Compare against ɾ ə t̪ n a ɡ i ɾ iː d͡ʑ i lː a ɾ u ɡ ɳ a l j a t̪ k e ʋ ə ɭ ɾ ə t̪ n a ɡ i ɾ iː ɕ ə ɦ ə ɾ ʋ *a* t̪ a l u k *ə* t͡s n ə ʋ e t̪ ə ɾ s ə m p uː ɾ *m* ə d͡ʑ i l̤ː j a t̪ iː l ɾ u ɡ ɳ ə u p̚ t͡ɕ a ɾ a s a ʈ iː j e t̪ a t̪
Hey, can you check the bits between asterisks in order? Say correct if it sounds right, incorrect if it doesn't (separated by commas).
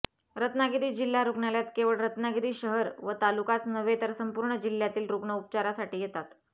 incorrect, incorrect, incorrect